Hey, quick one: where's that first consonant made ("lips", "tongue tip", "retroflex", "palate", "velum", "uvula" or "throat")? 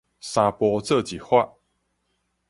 tongue tip